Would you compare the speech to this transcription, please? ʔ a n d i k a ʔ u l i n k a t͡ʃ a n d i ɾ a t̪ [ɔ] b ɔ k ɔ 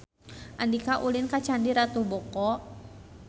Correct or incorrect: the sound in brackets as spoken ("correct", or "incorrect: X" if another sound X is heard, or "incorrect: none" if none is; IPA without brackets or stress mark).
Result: incorrect: u